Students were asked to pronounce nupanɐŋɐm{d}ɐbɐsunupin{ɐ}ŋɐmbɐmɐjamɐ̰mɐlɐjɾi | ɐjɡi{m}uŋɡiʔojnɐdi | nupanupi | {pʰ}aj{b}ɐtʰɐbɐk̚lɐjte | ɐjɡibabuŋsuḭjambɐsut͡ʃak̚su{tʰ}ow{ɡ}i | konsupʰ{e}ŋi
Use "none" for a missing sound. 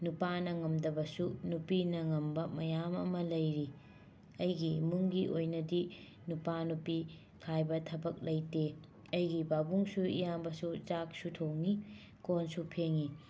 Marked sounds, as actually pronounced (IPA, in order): d, ɐ, m, kʰ, b, tʰ, ŋ, e

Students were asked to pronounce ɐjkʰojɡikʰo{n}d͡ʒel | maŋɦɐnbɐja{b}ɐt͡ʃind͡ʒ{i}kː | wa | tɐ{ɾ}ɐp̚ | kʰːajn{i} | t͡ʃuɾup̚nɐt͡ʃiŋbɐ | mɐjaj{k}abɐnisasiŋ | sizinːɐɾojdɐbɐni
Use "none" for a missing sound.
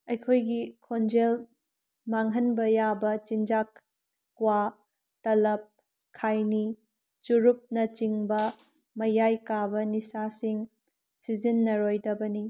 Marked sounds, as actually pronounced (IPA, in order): n, b, a, l, i, k

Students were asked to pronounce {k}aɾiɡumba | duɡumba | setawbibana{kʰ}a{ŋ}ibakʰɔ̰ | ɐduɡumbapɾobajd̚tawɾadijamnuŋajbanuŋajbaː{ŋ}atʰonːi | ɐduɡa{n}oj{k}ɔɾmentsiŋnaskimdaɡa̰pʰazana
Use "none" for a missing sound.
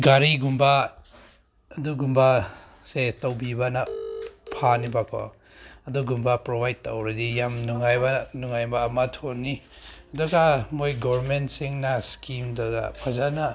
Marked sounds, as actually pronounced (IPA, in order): ɡ, pʰ, n, m, m, ɡ

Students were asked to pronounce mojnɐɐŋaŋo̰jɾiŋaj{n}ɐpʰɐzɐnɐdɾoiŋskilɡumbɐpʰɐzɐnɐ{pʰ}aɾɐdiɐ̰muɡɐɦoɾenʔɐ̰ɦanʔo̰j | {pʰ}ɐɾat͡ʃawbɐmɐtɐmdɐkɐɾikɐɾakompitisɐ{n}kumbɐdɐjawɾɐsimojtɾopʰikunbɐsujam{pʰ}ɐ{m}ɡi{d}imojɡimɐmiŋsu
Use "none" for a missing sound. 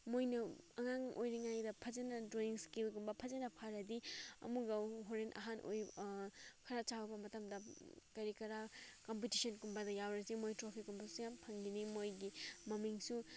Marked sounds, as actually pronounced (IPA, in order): d, pʰ, kʰ, n, pʰ, ŋ, n

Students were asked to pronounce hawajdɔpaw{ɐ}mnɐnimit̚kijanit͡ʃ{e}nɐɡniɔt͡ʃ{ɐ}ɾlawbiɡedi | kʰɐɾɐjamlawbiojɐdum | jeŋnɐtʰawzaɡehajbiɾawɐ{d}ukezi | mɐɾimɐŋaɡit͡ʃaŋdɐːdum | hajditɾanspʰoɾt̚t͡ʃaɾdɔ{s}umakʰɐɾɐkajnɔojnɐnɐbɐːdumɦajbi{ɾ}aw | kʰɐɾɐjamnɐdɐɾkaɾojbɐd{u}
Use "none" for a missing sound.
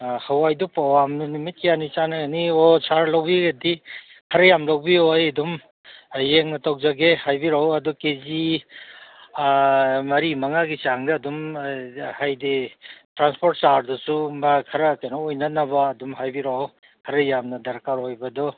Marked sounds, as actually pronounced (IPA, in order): a, a, a, d, s, ɾ, ɔ

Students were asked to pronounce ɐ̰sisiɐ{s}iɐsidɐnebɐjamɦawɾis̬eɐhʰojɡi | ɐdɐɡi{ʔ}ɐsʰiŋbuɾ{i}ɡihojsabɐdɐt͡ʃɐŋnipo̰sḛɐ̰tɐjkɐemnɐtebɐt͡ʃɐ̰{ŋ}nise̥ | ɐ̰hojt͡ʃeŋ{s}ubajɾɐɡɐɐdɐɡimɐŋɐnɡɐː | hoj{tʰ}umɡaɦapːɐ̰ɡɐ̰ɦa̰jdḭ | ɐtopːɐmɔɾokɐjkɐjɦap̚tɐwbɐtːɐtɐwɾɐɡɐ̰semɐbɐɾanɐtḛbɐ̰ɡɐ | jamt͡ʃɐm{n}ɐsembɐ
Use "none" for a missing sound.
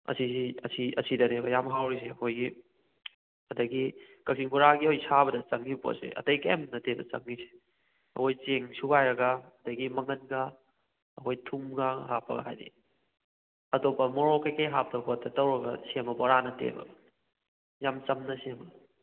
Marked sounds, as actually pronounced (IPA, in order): s, k, a, ŋ, s, tʰ, n

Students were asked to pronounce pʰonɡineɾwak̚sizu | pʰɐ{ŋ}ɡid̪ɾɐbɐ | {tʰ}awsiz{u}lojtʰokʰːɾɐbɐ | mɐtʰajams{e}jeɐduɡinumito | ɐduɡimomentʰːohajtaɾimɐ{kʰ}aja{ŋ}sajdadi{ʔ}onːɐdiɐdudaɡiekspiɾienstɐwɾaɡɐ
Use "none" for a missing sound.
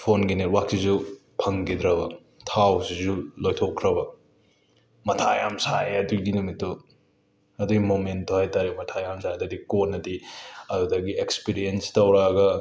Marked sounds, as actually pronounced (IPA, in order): ŋ, tʰ, u, a, tʰ, m, k

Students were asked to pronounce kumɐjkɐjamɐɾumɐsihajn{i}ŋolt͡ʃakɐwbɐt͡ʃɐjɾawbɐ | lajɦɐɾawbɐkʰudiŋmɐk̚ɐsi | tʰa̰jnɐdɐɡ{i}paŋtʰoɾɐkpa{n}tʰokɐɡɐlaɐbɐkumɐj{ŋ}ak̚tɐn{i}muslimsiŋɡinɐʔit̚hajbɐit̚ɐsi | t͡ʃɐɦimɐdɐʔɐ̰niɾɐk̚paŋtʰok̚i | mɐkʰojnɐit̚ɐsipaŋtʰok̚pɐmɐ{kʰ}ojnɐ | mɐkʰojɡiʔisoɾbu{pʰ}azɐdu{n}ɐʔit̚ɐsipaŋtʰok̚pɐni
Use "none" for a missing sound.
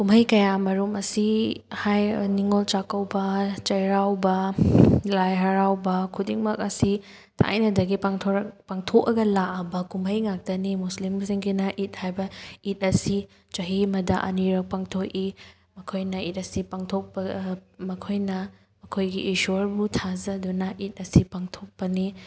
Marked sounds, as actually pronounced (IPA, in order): i, i, ŋ, ŋ, i, kʰ, tʰ, n

